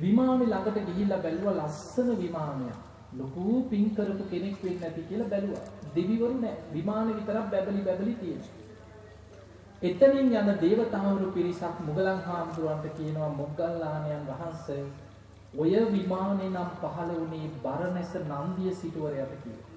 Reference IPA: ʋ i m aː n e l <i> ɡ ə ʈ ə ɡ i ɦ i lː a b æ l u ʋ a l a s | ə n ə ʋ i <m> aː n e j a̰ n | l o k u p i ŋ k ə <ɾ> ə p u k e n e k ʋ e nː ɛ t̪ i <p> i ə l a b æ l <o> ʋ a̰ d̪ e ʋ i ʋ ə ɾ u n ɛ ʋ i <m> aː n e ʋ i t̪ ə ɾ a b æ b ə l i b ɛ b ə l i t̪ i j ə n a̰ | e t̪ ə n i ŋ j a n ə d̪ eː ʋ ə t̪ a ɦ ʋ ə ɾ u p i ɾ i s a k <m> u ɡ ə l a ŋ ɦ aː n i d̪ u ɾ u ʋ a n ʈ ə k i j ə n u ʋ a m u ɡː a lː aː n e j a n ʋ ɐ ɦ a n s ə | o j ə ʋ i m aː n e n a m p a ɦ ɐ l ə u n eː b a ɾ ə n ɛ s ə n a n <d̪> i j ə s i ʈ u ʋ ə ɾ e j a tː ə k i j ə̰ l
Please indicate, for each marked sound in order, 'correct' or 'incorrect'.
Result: incorrect, correct, correct, incorrect, incorrect, correct, correct, correct

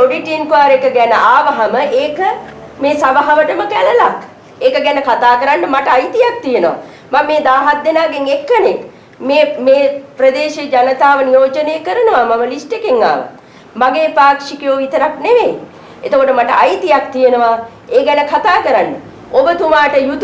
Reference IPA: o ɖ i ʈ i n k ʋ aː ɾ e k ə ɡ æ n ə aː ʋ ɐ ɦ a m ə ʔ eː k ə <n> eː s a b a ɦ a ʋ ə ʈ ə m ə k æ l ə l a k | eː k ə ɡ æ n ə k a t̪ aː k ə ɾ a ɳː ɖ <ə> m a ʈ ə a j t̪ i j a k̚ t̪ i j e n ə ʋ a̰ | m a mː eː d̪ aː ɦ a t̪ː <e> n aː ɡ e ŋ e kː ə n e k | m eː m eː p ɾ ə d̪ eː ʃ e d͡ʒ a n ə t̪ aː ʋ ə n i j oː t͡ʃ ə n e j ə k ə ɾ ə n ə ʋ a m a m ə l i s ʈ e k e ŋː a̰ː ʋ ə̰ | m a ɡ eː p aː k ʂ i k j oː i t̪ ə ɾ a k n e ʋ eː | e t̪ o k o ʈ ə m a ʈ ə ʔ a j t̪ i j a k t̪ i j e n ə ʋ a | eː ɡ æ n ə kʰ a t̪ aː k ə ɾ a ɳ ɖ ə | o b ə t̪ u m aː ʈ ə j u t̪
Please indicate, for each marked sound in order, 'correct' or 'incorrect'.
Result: incorrect, correct, correct

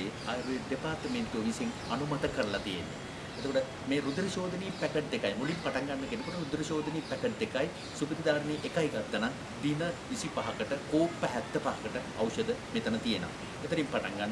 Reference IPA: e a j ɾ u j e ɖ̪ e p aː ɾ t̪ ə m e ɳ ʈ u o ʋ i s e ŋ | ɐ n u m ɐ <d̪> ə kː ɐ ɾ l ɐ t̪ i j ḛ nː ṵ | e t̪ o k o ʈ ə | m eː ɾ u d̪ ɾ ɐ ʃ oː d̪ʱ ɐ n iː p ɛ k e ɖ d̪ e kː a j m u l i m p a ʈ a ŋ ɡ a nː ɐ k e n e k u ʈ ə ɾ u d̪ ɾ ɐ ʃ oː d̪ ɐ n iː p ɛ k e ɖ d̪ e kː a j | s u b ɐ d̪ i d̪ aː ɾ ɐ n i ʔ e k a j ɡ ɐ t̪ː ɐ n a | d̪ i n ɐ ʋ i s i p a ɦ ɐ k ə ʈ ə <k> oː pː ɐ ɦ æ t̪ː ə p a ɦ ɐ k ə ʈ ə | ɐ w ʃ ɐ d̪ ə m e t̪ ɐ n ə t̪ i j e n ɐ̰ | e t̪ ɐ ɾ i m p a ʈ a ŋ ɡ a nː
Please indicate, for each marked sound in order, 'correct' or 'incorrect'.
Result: incorrect, correct

